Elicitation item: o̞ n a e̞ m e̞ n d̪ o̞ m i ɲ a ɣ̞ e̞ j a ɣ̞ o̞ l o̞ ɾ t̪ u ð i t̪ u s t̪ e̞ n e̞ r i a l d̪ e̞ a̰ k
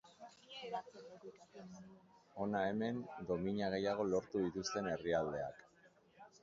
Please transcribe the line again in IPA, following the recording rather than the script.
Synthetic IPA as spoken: o̞ n a e̞ m e̞ n d̪ o̞ m i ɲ a ɣ̞ e̞ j a ɣ̞ o̞ l o̞ ɾ t̪ u ð i t̪ u s t̪ e̞ n e̞ r i a l d̪ e̞ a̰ k